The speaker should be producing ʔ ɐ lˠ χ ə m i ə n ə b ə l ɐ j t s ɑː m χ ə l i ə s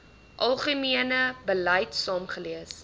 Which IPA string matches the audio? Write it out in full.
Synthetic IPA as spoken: ʔ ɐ lˠ χ ə m i ə n ə b ə l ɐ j t s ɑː m χ ə l i ə s